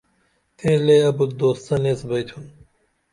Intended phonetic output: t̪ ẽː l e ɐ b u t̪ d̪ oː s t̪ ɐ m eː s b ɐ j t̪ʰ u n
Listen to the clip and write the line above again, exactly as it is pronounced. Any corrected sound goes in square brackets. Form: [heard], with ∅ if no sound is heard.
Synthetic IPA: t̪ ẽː l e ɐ b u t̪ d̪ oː s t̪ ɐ [n] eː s b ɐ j t̪ʰ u n